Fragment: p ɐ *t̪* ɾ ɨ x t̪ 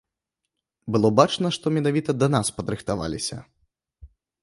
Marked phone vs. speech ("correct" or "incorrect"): incorrect